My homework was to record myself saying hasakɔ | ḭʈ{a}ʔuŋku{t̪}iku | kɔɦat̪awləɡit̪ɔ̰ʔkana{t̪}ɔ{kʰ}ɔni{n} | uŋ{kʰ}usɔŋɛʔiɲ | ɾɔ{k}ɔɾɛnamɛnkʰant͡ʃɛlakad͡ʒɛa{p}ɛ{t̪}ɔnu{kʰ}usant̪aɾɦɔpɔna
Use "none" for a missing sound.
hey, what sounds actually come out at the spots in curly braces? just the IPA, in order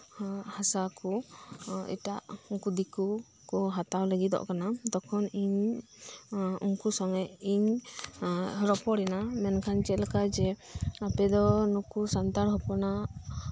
a, d̪, d̪, kʰ, ɲ, k, p, p, d̪, k

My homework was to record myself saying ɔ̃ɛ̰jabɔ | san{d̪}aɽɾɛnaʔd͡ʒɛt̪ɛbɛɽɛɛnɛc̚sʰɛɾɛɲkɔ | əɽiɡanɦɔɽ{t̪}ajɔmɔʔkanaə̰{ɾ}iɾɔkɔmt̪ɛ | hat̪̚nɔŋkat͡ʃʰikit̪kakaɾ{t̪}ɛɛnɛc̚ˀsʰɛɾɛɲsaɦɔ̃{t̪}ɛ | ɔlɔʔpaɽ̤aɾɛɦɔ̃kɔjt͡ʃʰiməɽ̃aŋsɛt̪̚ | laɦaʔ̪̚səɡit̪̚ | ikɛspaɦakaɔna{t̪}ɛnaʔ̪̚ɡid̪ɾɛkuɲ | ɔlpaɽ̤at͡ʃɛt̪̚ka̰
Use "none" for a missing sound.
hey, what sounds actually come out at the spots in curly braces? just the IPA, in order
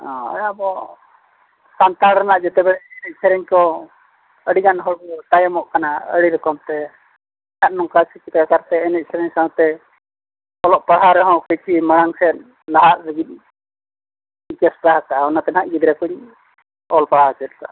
t̪, t̪, ɽ, t̪, t̪, t̪

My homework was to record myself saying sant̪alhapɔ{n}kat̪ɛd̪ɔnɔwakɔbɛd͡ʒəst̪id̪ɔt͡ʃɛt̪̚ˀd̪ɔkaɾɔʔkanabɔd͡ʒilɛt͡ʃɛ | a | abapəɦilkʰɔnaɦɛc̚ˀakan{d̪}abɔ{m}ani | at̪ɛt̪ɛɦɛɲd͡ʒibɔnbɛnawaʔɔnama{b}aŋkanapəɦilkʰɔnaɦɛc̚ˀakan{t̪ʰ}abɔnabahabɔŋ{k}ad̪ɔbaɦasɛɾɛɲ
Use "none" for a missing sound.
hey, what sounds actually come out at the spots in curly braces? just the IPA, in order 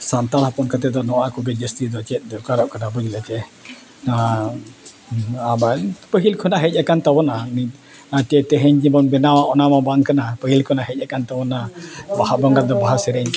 n, t̪, n, b, t̪, ɡ

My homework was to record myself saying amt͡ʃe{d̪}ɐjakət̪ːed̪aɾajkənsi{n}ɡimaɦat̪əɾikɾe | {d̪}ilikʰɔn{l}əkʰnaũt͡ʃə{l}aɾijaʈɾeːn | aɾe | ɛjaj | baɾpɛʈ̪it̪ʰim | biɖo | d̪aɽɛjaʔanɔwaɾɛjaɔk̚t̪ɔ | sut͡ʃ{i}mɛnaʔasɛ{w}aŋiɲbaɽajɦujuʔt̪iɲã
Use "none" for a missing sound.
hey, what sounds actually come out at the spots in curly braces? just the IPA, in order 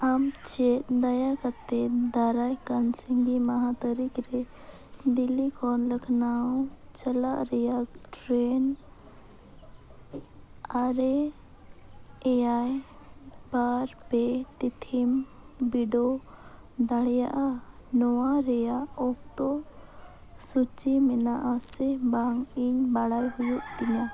d̪, ŋ, d̪, l, l, i, b

